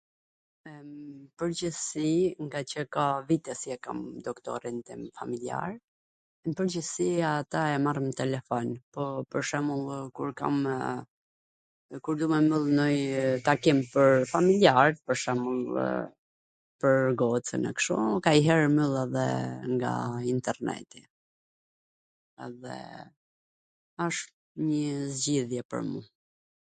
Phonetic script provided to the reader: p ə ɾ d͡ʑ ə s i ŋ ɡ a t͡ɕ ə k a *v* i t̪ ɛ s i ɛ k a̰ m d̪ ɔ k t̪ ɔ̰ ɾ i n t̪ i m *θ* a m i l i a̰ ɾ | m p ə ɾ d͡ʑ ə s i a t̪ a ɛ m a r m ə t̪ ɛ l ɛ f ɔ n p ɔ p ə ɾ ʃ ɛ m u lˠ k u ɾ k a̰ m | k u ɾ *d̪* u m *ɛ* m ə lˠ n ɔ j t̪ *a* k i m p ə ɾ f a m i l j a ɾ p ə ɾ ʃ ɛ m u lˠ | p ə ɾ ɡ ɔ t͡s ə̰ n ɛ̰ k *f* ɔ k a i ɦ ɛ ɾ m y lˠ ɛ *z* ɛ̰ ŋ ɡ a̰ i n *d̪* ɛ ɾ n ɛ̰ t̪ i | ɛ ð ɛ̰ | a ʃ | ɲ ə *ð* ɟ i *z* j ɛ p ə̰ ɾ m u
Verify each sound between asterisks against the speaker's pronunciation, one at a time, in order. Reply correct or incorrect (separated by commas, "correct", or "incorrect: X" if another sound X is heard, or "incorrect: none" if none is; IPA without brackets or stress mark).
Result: correct, incorrect: f, correct, correct, correct, incorrect: ʃ, incorrect: ð, incorrect: t̪, incorrect: z, incorrect: ð